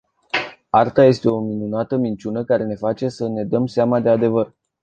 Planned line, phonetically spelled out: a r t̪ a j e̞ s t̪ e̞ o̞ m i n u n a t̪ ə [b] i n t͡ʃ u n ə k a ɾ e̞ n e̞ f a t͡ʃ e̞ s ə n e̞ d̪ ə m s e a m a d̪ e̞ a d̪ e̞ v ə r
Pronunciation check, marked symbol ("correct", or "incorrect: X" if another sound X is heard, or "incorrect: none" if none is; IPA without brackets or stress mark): incorrect: m